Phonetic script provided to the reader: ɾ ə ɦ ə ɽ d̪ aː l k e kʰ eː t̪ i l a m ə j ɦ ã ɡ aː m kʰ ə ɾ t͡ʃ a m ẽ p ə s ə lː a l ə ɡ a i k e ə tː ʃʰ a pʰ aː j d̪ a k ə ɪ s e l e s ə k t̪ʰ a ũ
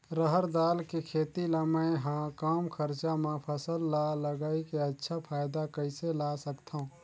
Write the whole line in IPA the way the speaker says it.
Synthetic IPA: ɾ ə ɦ ə ɾ d̪ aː l k e kʰ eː t̪ i l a m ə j ɦ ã k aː m kʰ ə ɾ t͡ʃ a m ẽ pʰ ə s ə lː a l ə ɡ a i k e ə tː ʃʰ a pʰ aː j d̪ a k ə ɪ s e l a s ə k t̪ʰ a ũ